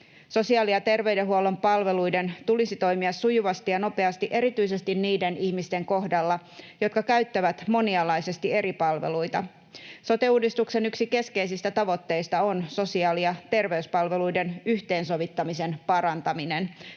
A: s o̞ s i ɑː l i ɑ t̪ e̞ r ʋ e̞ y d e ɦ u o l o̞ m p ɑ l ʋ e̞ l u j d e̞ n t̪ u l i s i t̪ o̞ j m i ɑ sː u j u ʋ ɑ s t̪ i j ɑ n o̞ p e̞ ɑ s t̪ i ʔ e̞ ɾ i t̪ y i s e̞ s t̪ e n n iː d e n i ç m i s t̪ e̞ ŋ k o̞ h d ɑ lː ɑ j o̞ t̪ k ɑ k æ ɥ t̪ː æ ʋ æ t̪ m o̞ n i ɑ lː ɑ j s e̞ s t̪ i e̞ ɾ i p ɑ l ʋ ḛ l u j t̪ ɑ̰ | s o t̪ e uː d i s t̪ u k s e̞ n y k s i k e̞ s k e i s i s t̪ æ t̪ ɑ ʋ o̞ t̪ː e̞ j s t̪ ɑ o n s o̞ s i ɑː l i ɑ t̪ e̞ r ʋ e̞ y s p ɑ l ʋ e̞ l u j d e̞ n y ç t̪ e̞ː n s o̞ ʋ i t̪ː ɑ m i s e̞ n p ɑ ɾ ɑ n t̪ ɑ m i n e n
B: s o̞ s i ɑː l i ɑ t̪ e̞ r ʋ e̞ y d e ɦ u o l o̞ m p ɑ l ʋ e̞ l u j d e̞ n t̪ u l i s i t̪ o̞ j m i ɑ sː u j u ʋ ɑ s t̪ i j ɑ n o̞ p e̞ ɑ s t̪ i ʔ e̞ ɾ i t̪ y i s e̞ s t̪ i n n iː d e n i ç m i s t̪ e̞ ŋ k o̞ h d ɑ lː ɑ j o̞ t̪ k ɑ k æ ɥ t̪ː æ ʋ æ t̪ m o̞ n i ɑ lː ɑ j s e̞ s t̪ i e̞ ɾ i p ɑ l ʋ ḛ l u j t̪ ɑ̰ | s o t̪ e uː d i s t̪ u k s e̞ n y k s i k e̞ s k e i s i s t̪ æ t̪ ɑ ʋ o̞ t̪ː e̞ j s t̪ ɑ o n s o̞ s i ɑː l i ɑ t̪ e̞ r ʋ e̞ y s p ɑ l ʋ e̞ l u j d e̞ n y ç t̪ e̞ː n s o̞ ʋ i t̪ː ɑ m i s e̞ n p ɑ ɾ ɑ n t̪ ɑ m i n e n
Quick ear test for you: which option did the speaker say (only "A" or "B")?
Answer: B